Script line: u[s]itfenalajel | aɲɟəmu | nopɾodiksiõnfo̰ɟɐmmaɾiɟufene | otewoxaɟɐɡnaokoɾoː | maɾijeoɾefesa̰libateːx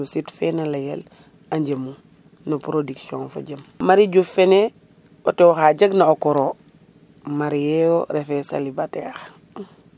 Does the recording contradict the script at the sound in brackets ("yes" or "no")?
no